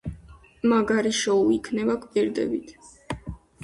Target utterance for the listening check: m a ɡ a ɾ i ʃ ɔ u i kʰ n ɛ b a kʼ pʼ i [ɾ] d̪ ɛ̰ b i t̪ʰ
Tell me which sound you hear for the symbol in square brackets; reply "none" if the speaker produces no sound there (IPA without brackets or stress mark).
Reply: ɾ